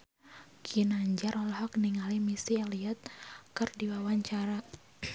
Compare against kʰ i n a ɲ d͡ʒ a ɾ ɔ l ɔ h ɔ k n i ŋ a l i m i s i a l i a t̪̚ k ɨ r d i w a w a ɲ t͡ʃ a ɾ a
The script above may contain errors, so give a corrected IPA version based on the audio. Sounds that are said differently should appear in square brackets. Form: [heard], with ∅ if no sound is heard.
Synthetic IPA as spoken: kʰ i n a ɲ d͡ʒ a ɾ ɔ l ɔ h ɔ k n i ŋ a l i m i s i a l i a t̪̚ k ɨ r d i w a w a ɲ t͡ʃ a ɾ a